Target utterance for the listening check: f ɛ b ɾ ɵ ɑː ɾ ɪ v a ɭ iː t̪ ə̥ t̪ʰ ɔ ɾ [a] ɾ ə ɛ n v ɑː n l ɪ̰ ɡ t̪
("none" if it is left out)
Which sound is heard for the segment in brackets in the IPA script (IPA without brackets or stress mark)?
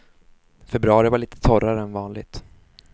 a